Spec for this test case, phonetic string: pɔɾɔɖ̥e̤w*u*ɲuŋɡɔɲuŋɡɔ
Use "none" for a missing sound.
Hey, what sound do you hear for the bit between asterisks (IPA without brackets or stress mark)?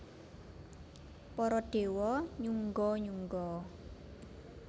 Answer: ɔ